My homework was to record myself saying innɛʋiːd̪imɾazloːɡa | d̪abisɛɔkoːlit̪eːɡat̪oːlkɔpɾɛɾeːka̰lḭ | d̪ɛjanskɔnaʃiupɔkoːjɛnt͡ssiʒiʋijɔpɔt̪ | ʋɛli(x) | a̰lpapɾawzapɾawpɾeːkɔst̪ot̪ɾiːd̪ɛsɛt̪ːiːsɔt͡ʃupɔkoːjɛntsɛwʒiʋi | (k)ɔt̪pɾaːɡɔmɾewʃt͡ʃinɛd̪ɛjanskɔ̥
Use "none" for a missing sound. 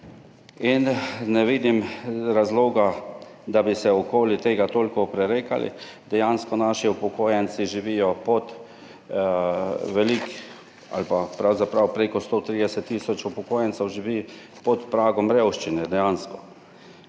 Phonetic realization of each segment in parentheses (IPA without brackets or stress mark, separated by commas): k, p